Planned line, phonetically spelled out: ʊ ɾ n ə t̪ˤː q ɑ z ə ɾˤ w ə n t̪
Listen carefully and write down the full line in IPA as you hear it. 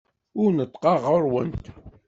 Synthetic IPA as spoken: ʊ ɾ n ə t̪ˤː q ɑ ʁ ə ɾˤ w ə n t̪

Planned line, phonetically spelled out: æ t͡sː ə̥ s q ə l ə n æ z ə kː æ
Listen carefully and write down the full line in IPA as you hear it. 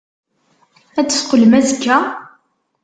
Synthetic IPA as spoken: æ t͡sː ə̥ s q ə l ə m æ z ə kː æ

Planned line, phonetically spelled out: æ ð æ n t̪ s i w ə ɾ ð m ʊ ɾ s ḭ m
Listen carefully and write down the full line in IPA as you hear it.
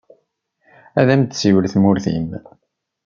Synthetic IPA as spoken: æ ð æ m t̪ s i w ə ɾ θ m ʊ ɾ θ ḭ m

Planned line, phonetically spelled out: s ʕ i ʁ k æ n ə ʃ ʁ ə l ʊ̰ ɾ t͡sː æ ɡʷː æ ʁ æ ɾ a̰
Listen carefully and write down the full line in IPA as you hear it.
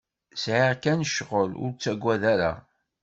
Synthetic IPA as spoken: s ʕ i ʁ k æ n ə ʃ ʁ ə l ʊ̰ ɾ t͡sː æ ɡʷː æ ð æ ɾ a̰

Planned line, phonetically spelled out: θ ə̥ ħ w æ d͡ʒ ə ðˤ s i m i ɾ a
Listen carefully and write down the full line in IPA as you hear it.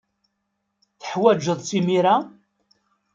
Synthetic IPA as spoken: θ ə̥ ħ w æ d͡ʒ ə ðˤ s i m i ɾ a

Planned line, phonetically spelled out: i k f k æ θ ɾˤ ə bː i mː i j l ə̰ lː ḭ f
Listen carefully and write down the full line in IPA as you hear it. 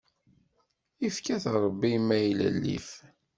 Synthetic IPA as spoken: i f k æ θ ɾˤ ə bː i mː æ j l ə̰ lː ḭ f

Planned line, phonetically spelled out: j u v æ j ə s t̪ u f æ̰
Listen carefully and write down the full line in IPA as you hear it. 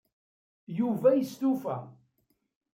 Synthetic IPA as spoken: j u v æ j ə s t̪ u f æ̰

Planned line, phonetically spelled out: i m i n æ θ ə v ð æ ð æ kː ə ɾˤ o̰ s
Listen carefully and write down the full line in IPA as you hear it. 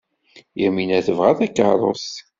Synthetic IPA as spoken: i m i n æ θ ə v ʁ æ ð æ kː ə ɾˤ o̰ s

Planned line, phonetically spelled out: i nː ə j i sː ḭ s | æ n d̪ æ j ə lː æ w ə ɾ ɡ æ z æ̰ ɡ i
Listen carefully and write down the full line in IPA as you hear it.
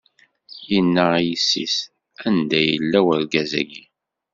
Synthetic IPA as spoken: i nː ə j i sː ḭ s | æ n d̪ æ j ə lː æ w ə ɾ ɡ æ z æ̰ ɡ i

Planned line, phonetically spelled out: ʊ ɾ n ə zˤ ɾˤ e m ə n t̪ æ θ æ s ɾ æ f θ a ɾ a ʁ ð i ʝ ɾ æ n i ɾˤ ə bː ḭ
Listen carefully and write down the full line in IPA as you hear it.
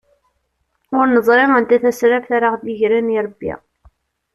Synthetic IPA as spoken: ʊ ɾ n ə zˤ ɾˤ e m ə n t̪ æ θ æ s ɾ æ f θ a ɾ a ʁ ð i ʝ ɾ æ n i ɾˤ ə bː ḭ

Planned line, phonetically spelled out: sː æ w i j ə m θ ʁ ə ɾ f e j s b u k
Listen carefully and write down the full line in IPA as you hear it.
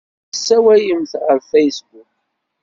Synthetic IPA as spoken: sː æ w æ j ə m θ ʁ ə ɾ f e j s b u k

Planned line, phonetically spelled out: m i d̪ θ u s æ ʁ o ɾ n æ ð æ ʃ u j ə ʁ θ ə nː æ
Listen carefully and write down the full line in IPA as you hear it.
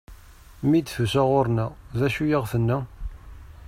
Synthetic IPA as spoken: m i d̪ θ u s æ ʁ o ɾ n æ ð æ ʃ u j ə ʁ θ ə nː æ

